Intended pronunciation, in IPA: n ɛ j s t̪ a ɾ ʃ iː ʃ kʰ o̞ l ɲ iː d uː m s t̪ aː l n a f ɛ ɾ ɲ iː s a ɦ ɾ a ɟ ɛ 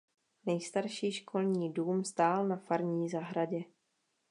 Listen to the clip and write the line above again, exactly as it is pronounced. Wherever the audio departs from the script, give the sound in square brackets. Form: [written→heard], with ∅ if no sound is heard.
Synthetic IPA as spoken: n ɛ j s t̪ a ɾ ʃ iː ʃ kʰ o̞ l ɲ iː d uː m s t̪ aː l n a f [ɛ→a] ɾ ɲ iː [s→z] a ɦ ɾ a ɟ ɛ